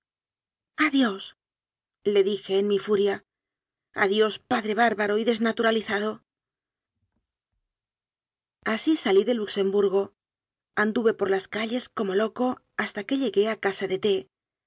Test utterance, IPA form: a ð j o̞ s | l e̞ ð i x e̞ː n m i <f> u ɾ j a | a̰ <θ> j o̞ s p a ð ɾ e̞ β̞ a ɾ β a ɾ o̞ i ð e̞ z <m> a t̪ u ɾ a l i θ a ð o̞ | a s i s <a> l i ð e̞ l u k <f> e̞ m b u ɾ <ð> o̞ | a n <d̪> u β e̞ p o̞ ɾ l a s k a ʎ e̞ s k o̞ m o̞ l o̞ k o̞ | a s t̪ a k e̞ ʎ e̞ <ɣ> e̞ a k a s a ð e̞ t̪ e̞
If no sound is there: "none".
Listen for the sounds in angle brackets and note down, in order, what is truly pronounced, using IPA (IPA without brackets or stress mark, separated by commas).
f, ð, n, a, s, ɣ, d̪, ɣ